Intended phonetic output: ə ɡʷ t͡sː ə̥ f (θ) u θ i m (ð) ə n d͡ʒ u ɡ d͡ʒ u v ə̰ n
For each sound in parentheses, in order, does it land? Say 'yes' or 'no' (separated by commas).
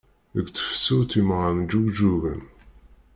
no, no